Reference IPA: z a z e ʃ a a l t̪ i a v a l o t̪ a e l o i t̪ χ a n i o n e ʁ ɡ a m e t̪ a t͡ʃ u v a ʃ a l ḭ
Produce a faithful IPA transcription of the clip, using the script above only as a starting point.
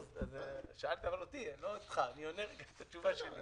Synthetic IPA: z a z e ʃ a a l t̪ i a v a l o t̪ i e l o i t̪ χ a n i o n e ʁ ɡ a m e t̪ a t͡ʃ u v a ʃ e l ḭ